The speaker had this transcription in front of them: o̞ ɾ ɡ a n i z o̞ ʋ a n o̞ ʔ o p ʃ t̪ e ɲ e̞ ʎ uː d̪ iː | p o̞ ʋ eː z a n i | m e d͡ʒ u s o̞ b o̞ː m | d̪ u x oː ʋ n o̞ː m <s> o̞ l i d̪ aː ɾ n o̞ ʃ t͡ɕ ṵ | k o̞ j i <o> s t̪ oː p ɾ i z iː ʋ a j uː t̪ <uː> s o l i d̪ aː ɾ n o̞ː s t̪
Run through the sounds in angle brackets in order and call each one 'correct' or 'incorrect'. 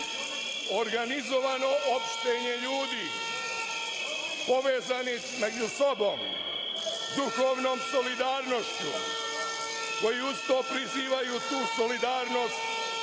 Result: correct, incorrect: u, correct

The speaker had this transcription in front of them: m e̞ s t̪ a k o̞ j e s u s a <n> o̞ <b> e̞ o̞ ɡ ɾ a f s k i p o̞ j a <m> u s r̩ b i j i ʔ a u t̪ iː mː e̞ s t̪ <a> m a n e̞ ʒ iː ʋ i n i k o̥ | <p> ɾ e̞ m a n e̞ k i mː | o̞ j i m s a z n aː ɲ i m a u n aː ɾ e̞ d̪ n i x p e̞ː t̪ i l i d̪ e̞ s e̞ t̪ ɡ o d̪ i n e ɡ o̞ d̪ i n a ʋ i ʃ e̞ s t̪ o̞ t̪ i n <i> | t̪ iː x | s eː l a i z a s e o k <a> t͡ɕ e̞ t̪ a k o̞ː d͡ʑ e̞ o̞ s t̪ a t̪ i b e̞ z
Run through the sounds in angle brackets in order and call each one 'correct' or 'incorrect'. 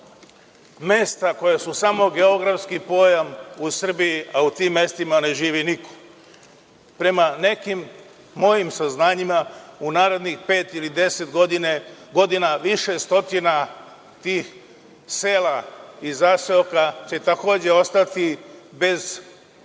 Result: incorrect: m, incorrect: ɡ, correct, incorrect: i, correct, incorrect: a, correct

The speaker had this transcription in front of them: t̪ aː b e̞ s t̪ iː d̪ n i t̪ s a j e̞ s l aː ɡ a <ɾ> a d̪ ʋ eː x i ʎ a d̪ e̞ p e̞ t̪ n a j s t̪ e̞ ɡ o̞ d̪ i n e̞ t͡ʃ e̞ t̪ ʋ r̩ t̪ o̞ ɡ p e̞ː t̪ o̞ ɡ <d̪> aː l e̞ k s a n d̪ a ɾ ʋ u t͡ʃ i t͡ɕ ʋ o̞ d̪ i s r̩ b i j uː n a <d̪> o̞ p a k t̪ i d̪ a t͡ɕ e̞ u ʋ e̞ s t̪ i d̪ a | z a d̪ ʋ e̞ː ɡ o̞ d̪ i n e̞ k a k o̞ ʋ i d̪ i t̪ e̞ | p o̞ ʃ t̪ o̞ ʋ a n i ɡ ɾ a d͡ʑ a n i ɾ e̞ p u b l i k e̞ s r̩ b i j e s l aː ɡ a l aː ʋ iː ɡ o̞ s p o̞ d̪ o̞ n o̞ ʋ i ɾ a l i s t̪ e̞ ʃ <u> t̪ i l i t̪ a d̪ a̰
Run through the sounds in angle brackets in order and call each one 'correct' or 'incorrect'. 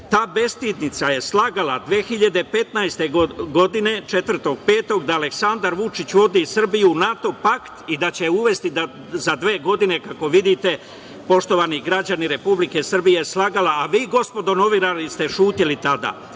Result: incorrect: l, correct, incorrect: t̪, incorrect: uː

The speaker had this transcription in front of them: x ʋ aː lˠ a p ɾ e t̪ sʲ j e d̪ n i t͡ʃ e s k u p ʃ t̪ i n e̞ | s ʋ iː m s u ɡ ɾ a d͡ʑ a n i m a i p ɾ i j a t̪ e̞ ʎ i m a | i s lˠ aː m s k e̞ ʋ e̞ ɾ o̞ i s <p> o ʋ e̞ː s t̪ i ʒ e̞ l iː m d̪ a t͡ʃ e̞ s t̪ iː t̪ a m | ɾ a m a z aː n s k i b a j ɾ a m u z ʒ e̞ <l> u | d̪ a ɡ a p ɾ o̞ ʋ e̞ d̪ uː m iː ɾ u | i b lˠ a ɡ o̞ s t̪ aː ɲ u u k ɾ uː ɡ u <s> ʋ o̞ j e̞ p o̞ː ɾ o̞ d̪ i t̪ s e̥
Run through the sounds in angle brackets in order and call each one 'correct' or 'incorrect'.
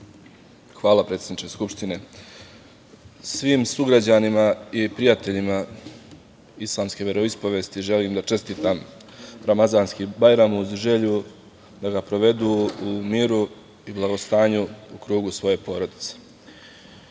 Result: correct, incorrect: ʎ, correct

